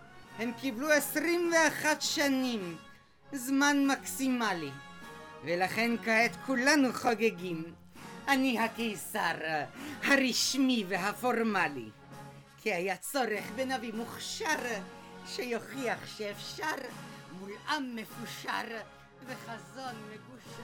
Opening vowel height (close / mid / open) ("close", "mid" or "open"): mid